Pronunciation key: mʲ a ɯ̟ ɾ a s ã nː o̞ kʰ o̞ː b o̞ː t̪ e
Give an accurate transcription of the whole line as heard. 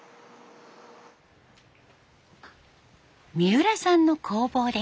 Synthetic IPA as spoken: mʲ i ɯ̟ ɾ a s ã nː o̞ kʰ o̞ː b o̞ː d̪ e